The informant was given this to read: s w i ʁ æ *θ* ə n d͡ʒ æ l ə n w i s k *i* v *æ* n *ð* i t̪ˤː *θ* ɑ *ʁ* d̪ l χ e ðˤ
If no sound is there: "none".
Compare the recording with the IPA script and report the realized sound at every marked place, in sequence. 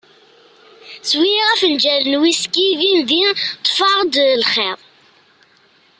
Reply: f, i, i, ð, f, ʁ

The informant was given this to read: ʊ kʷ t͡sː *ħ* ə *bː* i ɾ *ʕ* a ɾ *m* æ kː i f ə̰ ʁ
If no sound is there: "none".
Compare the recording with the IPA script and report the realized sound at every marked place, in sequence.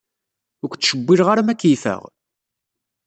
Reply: ʃ, bː, ʁ, m

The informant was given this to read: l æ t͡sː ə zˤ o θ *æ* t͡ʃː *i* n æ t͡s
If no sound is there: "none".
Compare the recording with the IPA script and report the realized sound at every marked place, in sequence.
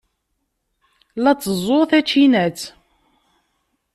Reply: æ, i

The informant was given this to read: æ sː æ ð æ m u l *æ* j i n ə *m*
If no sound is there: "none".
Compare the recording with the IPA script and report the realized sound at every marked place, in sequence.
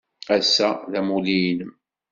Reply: i, m

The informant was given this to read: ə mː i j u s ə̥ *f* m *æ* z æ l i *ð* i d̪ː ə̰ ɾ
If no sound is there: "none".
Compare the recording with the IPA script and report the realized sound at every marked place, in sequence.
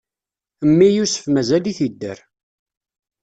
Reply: f, æ, θ

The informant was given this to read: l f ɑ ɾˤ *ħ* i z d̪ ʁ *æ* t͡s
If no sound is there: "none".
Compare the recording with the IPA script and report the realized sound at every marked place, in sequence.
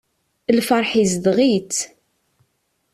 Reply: ħ, i

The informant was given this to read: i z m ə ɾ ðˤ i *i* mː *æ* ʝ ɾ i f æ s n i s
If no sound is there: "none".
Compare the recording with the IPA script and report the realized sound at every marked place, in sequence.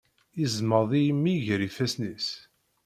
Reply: j, i

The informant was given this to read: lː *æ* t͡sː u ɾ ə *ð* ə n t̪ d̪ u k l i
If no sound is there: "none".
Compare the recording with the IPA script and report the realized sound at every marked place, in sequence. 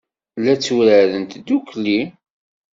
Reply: æ, ð

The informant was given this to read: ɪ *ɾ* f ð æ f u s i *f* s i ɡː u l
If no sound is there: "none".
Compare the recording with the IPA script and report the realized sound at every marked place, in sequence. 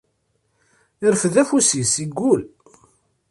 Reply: ɾ, none

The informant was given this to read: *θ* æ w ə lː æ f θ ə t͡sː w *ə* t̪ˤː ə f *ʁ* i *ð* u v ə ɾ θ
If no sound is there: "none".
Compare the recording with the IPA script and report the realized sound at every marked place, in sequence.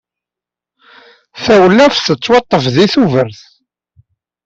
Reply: θ, ɑ, ð, θ

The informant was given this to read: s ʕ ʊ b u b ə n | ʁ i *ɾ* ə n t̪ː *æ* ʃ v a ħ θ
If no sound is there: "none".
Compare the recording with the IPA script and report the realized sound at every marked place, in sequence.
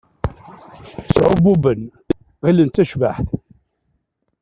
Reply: l, æ

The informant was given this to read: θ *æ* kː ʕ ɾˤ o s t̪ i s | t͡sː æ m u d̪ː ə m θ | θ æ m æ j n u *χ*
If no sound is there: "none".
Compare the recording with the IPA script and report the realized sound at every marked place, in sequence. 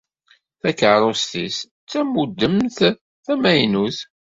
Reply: æ, θ

